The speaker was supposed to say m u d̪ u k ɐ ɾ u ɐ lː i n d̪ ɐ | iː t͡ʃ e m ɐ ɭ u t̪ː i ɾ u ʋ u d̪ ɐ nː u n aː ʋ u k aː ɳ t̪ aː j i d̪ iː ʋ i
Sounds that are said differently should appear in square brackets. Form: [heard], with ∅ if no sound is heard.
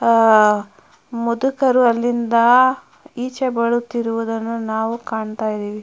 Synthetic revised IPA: m u d̪ u k ɐ ɾ u ɐ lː i n d̪ ɐ | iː t͡ʃ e [b] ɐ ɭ u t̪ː i ɾ u ʋ u d̪ ɐ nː u n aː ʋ u k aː ɳ t̪ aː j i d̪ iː ʋ i